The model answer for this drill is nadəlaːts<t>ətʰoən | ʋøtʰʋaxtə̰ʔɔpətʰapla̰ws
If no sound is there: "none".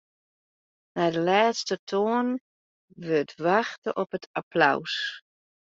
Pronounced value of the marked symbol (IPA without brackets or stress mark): t